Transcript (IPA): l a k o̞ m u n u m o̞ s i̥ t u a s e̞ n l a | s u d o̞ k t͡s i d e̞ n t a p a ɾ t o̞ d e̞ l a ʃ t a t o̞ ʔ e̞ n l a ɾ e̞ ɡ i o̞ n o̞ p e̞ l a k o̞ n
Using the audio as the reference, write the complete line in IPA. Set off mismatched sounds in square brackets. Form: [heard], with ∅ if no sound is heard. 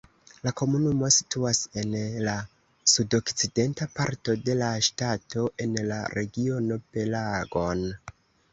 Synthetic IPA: l a k o̞ m u n u m o̞ s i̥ t u a s e̞ n l a | s u d o̞ k t͡s i d e̞ n t a p a ɾ t o̞ d e̞ l a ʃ t a t o̞ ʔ e̞ n l a ɾ e̞ ɡ i o̞ n o̞ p e̞ l a [ɡ] o̞ n